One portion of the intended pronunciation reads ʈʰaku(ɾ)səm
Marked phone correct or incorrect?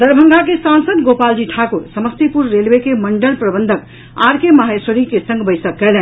correct